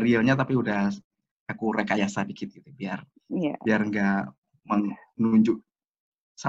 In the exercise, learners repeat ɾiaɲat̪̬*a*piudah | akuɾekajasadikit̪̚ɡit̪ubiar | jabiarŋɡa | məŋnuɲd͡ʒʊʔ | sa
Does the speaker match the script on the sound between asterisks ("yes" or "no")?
yes